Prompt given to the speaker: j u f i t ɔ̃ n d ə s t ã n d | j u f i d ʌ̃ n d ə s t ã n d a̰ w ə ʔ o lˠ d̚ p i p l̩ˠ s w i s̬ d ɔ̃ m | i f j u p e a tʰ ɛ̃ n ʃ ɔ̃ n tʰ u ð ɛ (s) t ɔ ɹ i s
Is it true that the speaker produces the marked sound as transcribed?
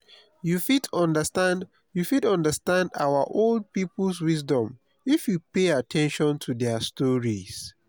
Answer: yes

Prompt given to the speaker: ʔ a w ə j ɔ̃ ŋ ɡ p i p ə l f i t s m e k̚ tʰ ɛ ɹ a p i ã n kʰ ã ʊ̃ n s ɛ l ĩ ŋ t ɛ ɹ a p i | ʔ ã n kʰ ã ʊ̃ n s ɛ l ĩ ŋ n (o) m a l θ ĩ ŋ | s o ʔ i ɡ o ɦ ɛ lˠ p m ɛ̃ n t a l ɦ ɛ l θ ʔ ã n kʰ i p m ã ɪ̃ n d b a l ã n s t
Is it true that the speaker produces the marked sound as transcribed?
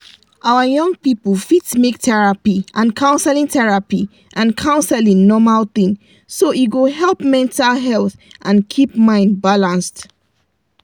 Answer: no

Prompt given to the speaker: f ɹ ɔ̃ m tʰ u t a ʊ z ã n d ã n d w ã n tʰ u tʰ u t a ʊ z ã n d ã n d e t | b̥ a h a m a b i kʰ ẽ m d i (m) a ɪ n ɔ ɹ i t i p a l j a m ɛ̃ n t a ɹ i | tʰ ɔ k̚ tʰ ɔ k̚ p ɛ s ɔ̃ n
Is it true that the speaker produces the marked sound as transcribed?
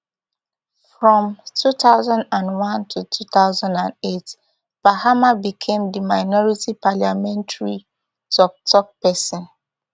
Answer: yes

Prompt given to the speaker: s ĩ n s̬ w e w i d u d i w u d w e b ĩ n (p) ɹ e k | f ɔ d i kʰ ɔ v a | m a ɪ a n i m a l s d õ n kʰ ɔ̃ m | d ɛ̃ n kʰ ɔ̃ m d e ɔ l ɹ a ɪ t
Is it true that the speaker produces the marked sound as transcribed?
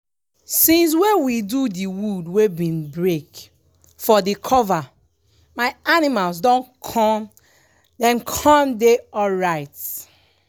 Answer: no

